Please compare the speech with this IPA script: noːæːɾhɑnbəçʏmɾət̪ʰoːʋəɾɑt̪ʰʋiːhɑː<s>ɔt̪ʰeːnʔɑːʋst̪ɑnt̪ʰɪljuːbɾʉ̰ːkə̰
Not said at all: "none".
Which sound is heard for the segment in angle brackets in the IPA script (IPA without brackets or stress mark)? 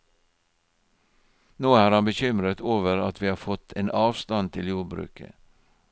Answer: f